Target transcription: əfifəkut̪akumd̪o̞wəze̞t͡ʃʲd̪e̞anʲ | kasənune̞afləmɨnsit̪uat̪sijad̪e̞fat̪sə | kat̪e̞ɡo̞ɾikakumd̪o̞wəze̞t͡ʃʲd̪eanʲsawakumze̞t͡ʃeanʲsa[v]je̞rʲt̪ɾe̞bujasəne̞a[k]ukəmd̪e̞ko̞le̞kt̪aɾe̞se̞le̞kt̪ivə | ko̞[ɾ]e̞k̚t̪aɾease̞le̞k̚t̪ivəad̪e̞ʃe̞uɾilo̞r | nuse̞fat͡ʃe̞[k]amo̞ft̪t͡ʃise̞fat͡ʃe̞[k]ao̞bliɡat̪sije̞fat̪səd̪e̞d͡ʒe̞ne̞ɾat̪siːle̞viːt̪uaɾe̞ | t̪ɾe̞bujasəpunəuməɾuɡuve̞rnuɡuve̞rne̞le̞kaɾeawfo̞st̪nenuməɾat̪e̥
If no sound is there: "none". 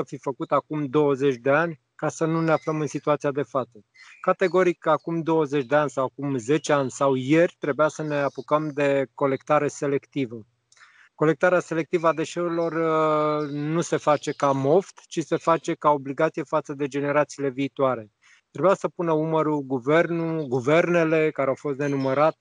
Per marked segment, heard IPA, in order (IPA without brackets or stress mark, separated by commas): w, p, l, k, k